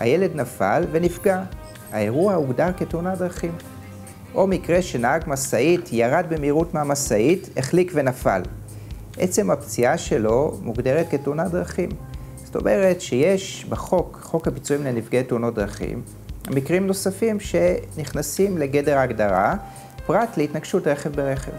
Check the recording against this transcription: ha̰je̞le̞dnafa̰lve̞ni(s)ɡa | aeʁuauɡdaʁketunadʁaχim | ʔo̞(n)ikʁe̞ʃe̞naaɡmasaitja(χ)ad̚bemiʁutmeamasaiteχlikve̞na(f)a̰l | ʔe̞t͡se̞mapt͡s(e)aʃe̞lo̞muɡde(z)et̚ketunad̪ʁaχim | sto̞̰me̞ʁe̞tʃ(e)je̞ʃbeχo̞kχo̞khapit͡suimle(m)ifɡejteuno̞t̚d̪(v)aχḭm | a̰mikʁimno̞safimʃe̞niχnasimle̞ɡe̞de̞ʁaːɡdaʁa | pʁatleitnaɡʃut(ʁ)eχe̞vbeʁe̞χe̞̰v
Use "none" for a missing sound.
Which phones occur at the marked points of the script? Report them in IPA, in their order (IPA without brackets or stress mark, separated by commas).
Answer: f, m, ʁ, f, i, ʁ, e, n, ʁ, ʁ